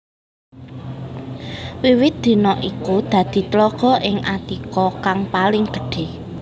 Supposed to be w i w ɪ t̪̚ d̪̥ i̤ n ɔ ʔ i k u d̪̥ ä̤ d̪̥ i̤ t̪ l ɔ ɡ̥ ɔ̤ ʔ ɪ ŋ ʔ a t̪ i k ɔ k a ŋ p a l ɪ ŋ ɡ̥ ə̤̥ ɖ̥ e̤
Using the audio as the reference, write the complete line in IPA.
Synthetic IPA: w i w ɪ t̪̚ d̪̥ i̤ n ɔ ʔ i k u d̪̥ ä̤ d̪̥ i̤ t̪ l ɔ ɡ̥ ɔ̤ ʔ ɪ ŋ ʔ a t̪ i k ɔ k a ŋ p a l ɪ ŋ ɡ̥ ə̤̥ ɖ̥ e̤